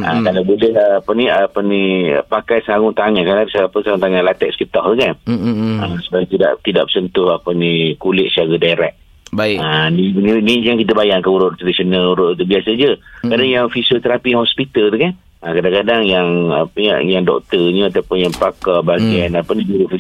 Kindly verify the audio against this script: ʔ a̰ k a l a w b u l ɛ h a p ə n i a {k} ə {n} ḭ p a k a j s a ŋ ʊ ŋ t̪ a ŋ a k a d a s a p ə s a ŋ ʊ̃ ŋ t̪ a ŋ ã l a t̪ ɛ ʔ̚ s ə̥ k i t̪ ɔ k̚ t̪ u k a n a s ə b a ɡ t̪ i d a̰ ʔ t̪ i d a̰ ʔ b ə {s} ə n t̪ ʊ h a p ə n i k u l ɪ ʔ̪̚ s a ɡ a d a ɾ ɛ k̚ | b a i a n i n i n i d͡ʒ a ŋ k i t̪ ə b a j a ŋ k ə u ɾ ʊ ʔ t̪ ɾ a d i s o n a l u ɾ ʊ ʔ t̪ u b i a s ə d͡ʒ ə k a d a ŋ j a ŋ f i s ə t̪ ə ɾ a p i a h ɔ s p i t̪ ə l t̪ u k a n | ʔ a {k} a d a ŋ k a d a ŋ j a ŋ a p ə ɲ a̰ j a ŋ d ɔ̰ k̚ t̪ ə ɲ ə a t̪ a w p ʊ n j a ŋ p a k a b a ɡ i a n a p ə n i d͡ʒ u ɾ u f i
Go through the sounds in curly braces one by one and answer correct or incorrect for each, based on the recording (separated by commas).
incorrect, correct, correct, correct